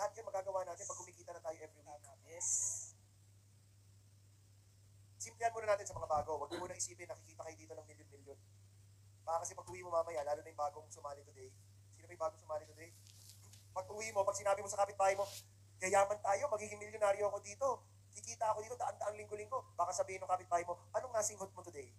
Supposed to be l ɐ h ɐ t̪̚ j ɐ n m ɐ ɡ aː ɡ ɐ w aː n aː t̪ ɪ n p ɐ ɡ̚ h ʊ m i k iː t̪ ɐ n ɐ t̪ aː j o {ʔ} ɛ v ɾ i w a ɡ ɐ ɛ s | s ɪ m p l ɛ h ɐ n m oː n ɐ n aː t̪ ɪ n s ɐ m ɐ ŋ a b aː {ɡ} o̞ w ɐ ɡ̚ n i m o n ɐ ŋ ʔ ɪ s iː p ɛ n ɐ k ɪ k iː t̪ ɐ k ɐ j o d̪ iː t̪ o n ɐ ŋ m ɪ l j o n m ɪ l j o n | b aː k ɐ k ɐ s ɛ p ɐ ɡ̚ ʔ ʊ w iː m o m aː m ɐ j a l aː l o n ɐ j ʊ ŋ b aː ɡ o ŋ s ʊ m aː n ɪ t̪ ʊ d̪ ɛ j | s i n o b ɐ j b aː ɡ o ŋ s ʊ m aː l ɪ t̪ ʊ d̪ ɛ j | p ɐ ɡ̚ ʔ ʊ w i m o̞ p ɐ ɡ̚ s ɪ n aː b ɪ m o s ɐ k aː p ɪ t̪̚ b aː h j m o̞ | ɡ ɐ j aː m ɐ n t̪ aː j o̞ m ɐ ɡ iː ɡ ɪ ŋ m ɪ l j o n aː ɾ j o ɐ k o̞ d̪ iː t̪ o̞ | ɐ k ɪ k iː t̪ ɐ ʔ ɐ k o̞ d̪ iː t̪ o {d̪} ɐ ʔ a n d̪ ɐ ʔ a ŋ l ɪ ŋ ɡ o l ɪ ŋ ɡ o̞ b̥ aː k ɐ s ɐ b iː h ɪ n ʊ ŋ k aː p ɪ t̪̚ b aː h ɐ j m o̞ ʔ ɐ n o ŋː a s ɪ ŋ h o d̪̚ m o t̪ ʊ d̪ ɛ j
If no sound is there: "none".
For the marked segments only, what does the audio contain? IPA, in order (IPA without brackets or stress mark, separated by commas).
ʔ, ɡ, d̪